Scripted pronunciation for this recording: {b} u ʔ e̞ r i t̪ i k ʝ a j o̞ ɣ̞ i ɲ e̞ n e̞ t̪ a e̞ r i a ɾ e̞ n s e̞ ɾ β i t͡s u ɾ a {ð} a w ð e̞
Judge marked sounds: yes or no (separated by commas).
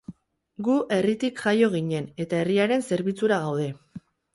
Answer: no, no